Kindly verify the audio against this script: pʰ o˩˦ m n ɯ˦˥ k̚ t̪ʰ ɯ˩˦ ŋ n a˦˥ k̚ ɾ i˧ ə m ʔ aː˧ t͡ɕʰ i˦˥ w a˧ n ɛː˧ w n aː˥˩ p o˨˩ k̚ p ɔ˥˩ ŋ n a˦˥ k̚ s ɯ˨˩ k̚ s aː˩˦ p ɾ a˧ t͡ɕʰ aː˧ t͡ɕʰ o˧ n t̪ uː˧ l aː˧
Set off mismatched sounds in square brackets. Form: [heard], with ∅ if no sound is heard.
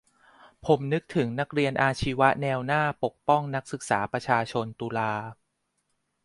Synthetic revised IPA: pʰ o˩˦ m n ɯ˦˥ k̚ t̪ʰ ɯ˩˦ ŋ n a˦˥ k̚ ɾ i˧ ə [n] ʔ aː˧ t͡ɕʰ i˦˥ w [a˦˥] n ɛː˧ w n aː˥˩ p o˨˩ k̚ p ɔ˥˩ ŋ n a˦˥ k̚ s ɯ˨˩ k̚ s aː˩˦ p ɾ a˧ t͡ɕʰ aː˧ t͡ɕʰ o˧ n t̪ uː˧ l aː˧